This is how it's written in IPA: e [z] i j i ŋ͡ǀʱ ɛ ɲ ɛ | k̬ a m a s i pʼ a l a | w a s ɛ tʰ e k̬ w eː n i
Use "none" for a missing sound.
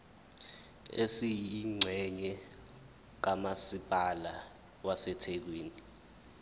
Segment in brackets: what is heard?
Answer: s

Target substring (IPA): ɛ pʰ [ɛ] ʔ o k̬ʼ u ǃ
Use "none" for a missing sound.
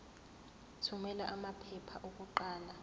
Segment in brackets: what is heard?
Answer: a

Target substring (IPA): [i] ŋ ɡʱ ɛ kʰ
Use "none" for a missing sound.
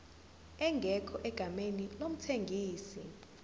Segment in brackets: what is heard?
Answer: ɛ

